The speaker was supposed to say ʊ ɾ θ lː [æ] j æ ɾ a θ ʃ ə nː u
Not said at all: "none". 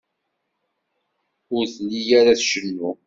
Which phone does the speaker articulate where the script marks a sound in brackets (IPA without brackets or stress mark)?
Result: i